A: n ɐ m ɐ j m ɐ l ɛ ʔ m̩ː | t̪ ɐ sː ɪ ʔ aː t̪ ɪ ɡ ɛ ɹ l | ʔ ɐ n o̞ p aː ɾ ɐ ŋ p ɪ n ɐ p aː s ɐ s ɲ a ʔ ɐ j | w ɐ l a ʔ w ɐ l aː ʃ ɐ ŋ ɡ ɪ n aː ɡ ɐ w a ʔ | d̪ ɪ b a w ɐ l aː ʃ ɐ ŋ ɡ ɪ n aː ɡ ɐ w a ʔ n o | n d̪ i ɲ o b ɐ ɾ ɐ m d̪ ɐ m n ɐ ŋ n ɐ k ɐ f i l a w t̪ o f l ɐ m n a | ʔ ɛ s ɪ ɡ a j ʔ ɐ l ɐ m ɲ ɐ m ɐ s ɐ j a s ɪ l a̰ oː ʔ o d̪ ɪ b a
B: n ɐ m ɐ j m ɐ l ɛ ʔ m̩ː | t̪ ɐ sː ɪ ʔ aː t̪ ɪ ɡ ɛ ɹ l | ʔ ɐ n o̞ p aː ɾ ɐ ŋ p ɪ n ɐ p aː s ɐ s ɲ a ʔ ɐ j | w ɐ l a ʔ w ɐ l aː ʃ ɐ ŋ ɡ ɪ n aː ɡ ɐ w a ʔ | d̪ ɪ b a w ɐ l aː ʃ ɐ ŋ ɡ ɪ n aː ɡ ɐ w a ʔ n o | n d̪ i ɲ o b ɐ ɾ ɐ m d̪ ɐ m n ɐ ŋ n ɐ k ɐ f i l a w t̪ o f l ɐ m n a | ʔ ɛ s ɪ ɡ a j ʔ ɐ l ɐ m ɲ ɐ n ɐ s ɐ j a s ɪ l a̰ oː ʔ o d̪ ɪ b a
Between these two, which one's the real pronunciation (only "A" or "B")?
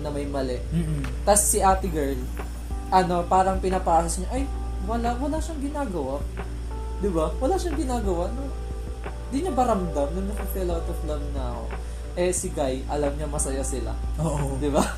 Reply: A